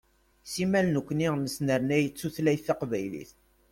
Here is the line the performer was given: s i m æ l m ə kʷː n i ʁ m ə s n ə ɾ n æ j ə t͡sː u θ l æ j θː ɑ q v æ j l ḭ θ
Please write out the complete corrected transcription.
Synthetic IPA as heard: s i m æ l n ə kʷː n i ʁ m ə s n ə ɾ n æ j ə t͡sː u θ l æ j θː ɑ q v æ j l ḭ θ